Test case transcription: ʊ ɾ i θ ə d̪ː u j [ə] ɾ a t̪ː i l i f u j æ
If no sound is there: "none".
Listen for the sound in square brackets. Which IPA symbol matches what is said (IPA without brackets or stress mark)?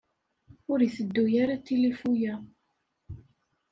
a